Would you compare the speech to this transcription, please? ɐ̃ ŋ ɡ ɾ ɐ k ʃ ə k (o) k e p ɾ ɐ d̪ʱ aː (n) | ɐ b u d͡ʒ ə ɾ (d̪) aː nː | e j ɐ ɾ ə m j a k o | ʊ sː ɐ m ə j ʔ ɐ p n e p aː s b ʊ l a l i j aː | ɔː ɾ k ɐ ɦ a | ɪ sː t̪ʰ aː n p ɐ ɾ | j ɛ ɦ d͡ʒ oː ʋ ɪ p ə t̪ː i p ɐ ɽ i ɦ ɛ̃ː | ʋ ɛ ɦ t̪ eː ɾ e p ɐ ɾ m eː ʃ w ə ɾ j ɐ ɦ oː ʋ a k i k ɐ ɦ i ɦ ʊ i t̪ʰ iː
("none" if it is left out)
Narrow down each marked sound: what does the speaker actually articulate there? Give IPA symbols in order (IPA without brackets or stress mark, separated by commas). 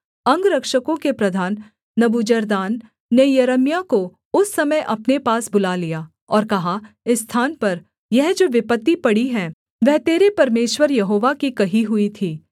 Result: õ, nː, d̪